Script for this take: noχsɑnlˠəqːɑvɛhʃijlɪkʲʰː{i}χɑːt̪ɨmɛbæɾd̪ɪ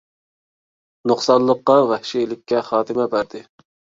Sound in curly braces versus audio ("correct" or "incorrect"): incorrect